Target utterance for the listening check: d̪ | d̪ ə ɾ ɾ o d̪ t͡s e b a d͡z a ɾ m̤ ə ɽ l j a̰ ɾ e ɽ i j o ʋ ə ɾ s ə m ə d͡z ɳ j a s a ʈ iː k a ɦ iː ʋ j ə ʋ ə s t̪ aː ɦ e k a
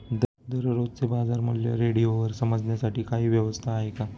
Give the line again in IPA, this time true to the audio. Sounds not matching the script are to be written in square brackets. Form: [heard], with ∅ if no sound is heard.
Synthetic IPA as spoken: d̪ | d̪ ə ɾ ɾ o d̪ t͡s e b a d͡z a ɾ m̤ ə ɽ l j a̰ ɾ e ɽ i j o ʋ ə ɾ s ə m ə d͡z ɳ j a s a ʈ iː k a ɦ iː ʋ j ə ʋ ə s [t̪ʰ] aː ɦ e k a

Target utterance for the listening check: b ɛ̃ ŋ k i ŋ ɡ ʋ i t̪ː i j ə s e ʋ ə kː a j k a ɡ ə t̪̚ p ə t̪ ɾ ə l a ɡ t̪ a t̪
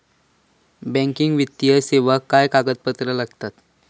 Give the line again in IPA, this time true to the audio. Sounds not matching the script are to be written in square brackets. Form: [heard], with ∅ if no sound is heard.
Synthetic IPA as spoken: b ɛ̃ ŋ k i ŋ ɡ ʋ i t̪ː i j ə s e ʋ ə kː a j k a ɡ ə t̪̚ p ə t̪ ɾ ə l a ɡ t̪ a t̪

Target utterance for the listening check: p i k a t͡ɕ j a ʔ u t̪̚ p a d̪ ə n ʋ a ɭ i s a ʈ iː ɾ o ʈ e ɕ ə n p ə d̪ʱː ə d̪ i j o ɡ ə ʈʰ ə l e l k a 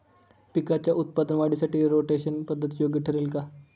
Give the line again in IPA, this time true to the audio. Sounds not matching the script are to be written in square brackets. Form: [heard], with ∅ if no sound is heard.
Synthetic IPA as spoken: p i k a t͡ɕ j a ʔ u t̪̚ p a d̪ ə n ʋ a [ɽ] i s a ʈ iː ɾ o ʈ e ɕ ə n p ə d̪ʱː ə [t̪] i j o ɡ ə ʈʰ ə [ɾ] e l k a

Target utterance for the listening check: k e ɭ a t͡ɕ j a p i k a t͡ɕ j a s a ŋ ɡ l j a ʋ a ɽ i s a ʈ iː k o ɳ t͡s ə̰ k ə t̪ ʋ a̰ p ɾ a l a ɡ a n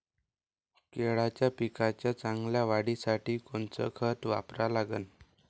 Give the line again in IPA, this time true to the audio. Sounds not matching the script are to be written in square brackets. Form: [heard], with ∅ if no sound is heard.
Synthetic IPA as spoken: k e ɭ a t͡ɕ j a p i k a t͡ɕ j a [t͡s] a ŋ ɡ l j a ʋ a ɽ i s a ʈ iː k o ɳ t͡s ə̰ [kʰ] ə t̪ ʋ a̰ p ɾ a l a ɡ [ə] n

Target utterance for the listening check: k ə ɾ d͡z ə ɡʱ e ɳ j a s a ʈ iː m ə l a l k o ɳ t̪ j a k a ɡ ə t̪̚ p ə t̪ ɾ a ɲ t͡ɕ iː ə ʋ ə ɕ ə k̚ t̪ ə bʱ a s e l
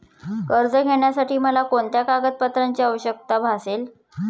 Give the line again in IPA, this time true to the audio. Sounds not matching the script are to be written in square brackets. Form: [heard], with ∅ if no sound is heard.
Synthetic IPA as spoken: k ə ɾ d͡z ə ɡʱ e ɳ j a s a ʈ iː m ə l a [∅] k o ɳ t̪ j a k a ɡ ə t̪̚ p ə t̪ ɾ a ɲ t͡ɕ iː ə ʋ ə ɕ ə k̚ t̪ [a] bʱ a s e l

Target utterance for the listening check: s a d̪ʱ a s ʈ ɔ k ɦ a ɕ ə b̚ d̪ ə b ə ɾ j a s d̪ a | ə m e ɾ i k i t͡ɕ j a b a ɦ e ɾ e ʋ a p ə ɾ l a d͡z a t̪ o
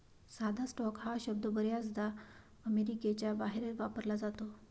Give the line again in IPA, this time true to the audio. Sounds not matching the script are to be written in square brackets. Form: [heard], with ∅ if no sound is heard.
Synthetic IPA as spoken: s a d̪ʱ a s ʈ ɔ k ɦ a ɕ ə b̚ d̪ ə b ə ɾ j a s d̪ a | ə m e ɾ i k [e] t͡ɕ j a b a ɦ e ɾ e ʋ a p ə ɾ l a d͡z a t̪ o

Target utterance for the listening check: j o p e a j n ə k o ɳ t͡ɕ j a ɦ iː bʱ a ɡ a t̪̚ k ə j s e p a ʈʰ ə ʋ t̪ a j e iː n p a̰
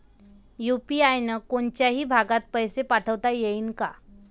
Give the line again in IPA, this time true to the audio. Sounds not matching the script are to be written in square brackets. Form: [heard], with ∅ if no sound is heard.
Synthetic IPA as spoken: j [u] p [i] a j n ə k o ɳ t͡ɕ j a ɦ iː bʱ a ɡ a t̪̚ [p] ə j s e p a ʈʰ ə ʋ t̪ a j e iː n [k] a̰

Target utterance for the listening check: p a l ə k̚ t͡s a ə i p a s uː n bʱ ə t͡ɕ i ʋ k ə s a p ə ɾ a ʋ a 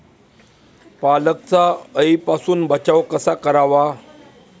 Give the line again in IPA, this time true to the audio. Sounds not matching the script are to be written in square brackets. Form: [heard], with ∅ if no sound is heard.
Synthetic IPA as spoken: p a l ə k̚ t͡s a ə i p a s uː n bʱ ə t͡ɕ [a] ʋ k ə s a [k] ə ɾ a ʋ a

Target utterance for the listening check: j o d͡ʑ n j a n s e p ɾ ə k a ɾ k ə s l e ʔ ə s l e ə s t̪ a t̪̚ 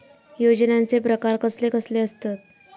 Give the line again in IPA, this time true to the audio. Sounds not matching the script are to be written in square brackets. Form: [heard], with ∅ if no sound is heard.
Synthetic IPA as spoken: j o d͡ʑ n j a n [t͡s] e p ɾ ə k a ɾ k ə s l e [k] ə s l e ə s t̪ a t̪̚

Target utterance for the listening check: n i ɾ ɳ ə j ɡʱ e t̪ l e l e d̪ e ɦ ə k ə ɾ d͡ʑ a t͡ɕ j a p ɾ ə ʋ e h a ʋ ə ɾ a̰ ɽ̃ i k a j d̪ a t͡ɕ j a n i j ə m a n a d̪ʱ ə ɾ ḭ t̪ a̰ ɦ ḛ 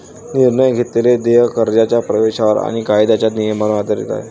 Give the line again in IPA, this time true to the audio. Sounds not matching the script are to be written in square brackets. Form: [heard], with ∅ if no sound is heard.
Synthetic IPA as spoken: n i ɾ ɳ ə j ɡʱ e t̪ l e l e d̪ e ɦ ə k ə ɾ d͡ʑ a t͡ɕ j a p ɾ ə ʋ e [ɕ] a ʋ ə ɾ a̰ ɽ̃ i k a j d̪ a t͡ɕ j a n i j ə m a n a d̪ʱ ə ɾ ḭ t̪ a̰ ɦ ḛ

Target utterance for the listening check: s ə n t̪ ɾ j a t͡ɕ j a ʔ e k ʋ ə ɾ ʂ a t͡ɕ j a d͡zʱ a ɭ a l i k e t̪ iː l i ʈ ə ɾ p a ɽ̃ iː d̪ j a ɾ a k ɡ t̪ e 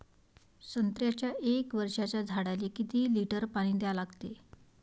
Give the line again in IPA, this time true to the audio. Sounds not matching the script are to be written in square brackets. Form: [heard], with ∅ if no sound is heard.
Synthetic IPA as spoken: s ə n t̪ ɾ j a t͡ɕ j a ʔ e k ʋ ə ɾ ʂ a t͡ɕ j a d͡zʱ a [ɽ] a l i k [i] t̪ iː l i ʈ ə ɾ p a ɽ̃ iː d̪ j a [l] a [∅] ɡ t̪ e

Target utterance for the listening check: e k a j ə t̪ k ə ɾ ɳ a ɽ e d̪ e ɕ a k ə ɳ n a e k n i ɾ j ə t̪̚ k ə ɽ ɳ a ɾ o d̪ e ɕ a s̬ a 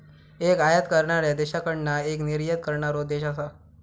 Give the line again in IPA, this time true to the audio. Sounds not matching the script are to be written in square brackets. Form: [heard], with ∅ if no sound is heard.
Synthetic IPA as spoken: e k a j ə t̪ k ə ɾ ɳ a [ɾ] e d̪ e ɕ a k ə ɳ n a e k n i ɾ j ə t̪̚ k ə [ɾ] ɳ a ɾ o d̪ e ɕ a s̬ a

